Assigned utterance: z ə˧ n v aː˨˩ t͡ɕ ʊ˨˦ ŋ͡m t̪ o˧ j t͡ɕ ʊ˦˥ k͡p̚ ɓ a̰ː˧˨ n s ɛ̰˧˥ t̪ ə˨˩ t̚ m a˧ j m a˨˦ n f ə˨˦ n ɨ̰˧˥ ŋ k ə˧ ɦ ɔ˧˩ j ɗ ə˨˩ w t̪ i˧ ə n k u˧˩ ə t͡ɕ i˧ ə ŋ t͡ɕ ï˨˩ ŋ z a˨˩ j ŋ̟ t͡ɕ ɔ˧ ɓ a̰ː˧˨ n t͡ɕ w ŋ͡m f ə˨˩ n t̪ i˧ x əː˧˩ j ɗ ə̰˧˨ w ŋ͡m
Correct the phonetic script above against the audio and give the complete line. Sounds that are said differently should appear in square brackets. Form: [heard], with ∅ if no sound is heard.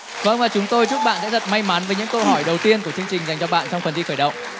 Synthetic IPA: [v] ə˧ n v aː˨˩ t͡ɕ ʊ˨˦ ŋ͡m t̪ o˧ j t͡ɕ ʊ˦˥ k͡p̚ ɓ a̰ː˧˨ n s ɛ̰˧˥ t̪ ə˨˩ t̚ m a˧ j m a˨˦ n [v] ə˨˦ [ɲ] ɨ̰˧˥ ŋ k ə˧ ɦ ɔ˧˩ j ɗ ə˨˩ w t̪ i˧ ə n k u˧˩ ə t͡ɕ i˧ ə ŋ t͡ɕ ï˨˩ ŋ z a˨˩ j ŋ̟ t͡ɕ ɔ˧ ɓ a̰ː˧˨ n t͡ɕ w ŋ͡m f ə˨˩ n t̪ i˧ x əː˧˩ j ɗ ə̰˧˨ w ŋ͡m